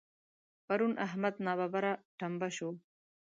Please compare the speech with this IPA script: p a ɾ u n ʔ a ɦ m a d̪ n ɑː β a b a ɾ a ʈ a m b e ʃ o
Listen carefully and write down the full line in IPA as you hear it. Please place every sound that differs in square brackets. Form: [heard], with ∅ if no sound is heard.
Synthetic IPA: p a ɾ u n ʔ a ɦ m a d̪ n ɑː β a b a ɾ a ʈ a m b [a] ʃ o